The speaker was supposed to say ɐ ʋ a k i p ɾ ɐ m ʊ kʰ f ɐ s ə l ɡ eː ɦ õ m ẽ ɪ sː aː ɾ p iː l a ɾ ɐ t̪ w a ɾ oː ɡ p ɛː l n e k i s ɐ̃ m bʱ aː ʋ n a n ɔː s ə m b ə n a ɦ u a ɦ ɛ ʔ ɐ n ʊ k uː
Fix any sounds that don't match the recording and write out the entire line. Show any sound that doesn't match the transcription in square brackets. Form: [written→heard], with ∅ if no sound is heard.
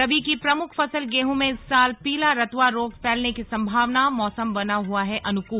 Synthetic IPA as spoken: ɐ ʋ [a→i] k i p ɾ ɐ m ʊ kʰ f ɐ s ə l ɡ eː ɦ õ m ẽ ɪ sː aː [ɾ→l] p iː l a ɾ ɐ t̪ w a ɾ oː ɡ p ɛː l n e k i s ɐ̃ m bʱ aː ʋ n a [n→m] ɔː s ə m b [ə→ɐ] n a ɦ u a ɦ ɛ ʔ ɐ n ʊ k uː

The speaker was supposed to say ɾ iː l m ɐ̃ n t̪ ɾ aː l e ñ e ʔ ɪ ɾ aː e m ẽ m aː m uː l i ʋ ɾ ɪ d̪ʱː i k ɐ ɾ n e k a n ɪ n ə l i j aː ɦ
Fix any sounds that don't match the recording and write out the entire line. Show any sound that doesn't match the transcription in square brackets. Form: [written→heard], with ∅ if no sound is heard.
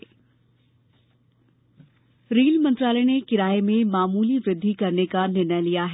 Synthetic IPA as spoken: ɾ iː l m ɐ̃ n t̪ ɾ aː l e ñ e [ʔ→k] ɪ ɾ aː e m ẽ m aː m uː l i ʋ ɾ ɪ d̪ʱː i k ɐ ɾ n e k a n ɪ n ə l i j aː ɦ

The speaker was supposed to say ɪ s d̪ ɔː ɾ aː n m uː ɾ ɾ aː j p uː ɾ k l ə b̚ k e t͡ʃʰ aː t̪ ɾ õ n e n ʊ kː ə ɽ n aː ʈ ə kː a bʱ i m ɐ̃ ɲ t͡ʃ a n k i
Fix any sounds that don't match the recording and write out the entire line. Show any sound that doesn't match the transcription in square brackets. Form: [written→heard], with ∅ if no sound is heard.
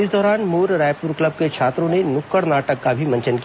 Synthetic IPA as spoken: ɪ s d̪ ɔː ɾ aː n m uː ɾ ɾ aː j p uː ɾ k l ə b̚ k e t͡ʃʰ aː t̪ ɾ õ n e n ʊ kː ə ɽ n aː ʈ ə kː a bʱ i m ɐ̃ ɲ t͡ʃ [a→ə] n k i

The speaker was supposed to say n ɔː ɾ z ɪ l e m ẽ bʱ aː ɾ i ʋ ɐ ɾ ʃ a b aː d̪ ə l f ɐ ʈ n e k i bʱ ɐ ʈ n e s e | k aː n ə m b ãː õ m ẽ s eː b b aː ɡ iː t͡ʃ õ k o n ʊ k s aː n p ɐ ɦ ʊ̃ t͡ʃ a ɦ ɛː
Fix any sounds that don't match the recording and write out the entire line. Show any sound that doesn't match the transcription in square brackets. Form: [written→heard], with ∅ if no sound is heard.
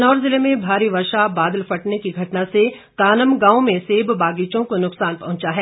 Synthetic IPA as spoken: n ɔː ɾ z ɪ l e m ẽ bʱ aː ɾ i ʋ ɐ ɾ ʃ a b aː d̪ ə l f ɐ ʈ n e k i [bʱ→ɡʱ] ɐ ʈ n [e→a] s e | k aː n ə m [b→ɡ] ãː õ m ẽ s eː b b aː ɡ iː t͡ʃ õ k o n ʊ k s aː n p ɐ ɦ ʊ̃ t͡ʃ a ɦ ɛː

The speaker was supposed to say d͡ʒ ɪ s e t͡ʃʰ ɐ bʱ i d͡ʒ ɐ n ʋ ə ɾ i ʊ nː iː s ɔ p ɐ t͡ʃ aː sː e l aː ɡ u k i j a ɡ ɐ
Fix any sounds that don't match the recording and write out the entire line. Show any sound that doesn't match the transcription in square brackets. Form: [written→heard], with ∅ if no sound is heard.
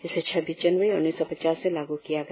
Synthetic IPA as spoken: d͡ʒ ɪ s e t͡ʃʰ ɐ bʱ i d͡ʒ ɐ n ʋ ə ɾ i ʊ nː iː s ɔ p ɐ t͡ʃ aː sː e l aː ɡ u k i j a ɡ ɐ

